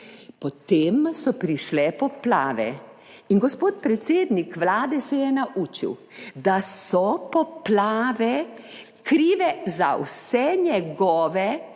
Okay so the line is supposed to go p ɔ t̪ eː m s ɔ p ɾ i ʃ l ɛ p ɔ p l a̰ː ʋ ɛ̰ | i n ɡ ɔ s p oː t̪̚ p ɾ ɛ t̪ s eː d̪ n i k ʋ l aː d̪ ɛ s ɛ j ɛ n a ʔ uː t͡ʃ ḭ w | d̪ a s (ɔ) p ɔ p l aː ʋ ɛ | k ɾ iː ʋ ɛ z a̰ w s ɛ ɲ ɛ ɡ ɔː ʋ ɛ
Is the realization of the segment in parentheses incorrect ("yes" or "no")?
no